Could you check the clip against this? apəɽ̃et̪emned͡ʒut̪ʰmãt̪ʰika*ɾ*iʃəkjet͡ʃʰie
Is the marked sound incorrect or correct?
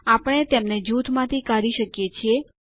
correct